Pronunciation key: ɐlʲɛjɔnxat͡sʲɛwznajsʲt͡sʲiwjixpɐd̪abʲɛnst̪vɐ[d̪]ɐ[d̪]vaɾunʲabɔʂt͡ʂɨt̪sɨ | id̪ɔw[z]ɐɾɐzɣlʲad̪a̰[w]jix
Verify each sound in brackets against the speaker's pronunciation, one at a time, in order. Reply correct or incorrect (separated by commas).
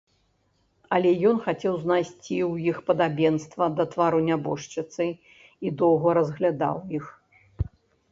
correct, incorrect, incorrect, correct